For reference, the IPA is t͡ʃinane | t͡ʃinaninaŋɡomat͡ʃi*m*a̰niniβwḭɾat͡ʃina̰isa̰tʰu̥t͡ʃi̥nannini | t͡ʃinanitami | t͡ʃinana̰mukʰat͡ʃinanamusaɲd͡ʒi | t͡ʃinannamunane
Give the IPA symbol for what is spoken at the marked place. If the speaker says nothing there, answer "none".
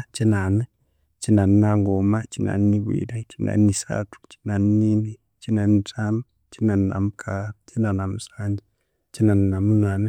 n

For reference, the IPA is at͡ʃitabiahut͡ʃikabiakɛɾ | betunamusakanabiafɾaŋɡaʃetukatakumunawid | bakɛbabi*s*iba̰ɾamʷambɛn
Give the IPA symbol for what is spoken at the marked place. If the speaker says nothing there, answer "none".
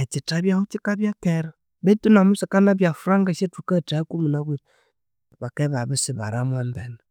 s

